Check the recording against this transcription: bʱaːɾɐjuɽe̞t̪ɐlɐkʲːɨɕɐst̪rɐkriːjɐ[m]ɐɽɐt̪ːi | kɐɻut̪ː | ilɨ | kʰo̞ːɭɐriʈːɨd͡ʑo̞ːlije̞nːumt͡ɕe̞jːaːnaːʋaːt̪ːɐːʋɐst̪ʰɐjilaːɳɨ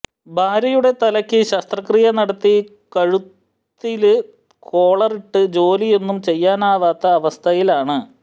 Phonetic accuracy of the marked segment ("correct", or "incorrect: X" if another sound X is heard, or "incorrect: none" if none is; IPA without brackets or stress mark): incorrect: n